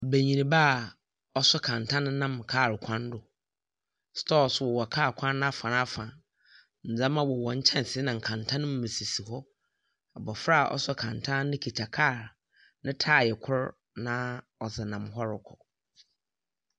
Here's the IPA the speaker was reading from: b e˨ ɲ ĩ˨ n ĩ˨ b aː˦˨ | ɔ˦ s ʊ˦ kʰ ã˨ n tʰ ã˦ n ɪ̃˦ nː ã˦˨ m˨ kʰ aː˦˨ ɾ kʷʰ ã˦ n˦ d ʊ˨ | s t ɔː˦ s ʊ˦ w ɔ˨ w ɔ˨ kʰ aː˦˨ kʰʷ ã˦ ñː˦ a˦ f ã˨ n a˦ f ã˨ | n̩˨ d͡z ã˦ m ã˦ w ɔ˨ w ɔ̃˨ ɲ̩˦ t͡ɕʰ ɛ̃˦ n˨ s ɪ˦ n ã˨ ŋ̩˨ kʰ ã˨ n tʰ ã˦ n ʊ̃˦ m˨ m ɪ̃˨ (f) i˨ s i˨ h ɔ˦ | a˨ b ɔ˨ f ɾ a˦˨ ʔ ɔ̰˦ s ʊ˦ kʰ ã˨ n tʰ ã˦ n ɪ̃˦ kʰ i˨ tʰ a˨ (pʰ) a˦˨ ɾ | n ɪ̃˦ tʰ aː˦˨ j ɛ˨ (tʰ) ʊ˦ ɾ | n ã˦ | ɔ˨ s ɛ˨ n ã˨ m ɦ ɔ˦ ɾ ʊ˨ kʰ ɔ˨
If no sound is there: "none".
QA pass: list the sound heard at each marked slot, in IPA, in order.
s, kʰ, kʰ

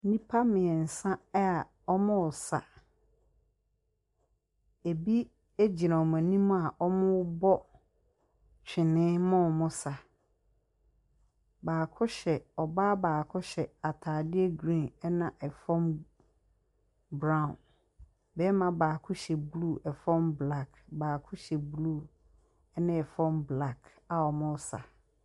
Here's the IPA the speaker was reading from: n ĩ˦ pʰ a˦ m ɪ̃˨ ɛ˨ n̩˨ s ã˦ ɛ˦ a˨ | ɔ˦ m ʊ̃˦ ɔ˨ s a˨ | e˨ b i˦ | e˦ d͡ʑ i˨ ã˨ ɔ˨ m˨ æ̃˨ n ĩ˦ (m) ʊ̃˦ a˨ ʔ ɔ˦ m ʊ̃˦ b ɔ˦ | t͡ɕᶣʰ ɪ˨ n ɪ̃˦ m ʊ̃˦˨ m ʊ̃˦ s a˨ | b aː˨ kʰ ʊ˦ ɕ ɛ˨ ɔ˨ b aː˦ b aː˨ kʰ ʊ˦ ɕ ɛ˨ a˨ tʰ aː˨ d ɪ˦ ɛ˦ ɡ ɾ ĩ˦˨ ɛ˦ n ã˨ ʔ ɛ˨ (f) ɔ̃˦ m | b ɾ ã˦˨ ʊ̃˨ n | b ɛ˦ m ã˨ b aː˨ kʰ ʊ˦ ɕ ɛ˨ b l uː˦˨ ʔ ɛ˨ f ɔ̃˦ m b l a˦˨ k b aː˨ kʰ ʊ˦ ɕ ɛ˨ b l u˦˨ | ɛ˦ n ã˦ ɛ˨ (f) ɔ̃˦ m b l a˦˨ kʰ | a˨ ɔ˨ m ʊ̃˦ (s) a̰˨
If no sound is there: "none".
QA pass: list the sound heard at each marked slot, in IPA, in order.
m, f, f, s

